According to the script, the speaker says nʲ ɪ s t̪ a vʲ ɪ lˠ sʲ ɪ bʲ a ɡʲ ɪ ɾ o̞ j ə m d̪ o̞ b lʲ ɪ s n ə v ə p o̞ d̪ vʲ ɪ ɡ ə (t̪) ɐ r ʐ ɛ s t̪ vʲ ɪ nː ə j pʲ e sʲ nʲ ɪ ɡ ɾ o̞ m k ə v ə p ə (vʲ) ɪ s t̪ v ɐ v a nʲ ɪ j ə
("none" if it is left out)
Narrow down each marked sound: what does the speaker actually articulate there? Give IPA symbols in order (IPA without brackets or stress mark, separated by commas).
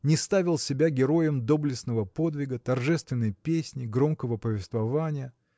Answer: t̪, vʲ